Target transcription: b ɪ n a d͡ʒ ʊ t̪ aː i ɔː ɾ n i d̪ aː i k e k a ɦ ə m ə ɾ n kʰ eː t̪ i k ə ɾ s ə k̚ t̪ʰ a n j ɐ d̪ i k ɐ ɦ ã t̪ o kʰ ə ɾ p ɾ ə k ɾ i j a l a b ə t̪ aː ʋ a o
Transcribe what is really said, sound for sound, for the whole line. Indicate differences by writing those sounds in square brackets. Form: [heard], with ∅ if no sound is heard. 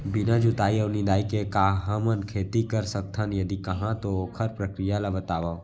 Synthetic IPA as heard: b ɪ n a d͡ʒ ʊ t̪ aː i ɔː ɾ n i d̪ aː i k e k a ɦ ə m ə [∅] n kʰ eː t̪ i k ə ɾ s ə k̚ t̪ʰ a n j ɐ d̪ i k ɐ ɦ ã t̪ o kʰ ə ɾ p ɾ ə k ɾ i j a l a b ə t̪ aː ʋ a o